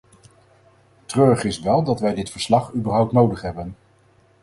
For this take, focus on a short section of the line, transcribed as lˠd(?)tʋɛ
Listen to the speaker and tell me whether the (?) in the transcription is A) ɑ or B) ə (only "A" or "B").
A